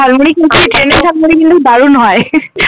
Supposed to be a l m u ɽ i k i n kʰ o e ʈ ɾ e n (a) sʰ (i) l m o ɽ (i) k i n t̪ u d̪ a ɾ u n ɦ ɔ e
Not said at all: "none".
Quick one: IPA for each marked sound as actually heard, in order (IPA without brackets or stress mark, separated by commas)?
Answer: e, a, i